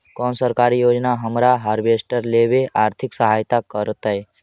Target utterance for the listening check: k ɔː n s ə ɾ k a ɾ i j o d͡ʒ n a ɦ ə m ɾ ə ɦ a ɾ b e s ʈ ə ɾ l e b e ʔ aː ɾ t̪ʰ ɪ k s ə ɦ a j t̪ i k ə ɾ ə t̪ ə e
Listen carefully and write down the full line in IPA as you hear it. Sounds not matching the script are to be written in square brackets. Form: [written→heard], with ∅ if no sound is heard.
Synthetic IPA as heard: k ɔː n s ə ɾ k a ɾ i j o d͡ʒ n a ɦ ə m ɾ [ə→a] ɦ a ɾ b e s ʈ ə ɾ l e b e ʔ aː ɾ t̪ʰ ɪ k s ə ɦ a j t̪ [i→a] k ə ɾ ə t̪ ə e